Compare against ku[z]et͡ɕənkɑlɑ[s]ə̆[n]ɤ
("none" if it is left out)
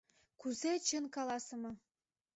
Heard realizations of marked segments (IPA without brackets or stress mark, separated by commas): z, s, m